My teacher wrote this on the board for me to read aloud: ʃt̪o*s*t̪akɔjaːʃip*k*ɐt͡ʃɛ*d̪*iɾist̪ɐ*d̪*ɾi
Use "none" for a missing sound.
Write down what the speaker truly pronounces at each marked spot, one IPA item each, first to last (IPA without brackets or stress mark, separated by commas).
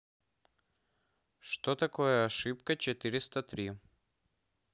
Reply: none, k, t̪, t̪